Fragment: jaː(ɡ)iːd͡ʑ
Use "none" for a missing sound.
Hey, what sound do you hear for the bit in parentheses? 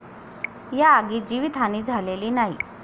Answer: ɡ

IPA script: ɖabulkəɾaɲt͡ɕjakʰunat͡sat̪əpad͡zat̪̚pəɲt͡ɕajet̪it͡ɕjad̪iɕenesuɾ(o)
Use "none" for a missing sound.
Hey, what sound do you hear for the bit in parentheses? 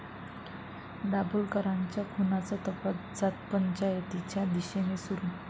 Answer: u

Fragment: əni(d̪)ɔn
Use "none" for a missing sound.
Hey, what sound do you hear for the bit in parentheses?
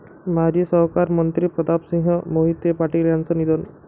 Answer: d̪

